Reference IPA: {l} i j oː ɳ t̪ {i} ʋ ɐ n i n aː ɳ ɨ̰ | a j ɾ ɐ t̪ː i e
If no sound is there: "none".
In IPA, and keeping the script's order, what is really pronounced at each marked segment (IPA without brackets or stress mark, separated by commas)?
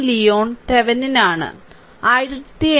l, e